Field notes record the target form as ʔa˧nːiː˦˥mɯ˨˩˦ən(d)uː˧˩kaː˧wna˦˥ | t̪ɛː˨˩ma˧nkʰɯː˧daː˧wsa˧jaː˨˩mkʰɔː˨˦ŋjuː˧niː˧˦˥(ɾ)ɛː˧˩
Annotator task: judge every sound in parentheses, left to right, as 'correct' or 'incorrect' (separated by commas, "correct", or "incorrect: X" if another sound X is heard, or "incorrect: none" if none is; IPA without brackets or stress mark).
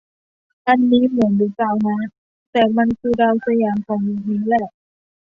correct, incorrect: l